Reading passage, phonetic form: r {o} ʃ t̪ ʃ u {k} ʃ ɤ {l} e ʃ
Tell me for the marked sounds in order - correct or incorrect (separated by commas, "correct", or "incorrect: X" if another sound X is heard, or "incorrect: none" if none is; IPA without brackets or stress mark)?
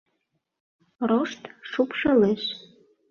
correct, incorrect: p, correct